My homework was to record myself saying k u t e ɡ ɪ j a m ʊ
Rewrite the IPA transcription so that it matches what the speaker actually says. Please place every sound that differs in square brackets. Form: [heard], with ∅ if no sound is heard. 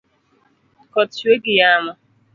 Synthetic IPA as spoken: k [ɔ] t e ɡ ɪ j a m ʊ